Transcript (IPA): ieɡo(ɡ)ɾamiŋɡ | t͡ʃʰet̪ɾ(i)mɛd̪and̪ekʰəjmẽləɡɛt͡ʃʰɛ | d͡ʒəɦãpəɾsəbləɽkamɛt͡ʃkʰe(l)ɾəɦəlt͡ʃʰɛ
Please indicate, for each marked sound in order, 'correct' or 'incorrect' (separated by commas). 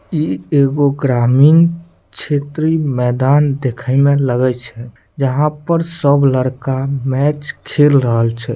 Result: correct, correct, correct